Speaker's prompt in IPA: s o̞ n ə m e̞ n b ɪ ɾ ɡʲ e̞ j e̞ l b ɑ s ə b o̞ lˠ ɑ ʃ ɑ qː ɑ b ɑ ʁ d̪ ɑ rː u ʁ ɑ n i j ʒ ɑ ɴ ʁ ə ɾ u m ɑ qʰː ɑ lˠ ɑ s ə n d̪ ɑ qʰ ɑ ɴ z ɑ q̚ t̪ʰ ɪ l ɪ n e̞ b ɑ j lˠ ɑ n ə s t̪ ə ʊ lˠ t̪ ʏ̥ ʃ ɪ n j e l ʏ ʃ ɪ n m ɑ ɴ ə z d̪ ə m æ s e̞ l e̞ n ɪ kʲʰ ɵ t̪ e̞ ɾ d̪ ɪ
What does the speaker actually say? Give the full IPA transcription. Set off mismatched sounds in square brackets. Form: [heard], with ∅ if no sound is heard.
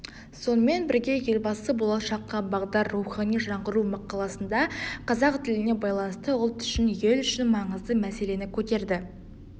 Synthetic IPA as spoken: s o̞ n ə m e̞ n b ɪ ɾ ɡʲ e̞ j e̞ l b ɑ s ə b o̞ lˠ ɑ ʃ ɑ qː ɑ b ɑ ʁ d̪ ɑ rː u [χ] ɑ n i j ʒ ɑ ɴ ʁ ə ɾ u m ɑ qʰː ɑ lˠ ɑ s ə n d̪ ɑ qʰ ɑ [∅] z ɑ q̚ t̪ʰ ɪ l ɪ n e̞ b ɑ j lˠ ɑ n ə s t̪ ə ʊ lˠ t̪ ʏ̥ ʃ ɪ n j e l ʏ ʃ ɪ n m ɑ ɴ ə z d̪ ə m æ s e̞ l e̞ n ɪ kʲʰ ɵ t̪ e̞ ɾ d̪ ɪ

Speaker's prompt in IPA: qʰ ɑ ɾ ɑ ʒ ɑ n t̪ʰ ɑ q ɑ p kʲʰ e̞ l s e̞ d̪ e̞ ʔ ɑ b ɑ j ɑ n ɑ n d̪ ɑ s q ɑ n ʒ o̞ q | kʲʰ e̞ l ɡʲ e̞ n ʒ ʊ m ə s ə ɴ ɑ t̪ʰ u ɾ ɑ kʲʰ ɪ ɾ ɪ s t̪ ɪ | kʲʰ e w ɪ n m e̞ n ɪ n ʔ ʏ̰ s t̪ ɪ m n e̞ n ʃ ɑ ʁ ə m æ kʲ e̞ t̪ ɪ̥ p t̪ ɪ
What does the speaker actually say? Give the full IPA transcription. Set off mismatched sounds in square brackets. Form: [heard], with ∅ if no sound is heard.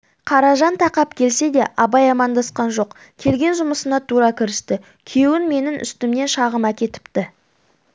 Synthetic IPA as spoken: qʰ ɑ ɾ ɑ ʒ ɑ n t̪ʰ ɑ q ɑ p kʲʰ e̞ l s e̞ d̪ e̞ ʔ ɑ b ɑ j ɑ [m] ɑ n d̪ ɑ s q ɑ n ʒ o̞ q | kʲʰ e̞ l ɡʲ e̞ n ʒ ʊ m ə s ə [n] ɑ t̪ʰ u ɾ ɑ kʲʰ ɪ ɾ ɪ s t̪ ɪ | kʲʰ e w ɪ n m e̞ n ɪ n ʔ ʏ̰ s t̪ ɪ m n e̞ n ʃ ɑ ʁ ə m æ kʲ e̞ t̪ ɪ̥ p t̪ ɪ

